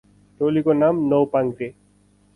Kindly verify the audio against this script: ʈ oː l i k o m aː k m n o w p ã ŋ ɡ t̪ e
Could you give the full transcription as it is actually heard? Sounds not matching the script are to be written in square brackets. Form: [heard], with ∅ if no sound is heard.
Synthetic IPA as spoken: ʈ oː l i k o [n] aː [∅] m n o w p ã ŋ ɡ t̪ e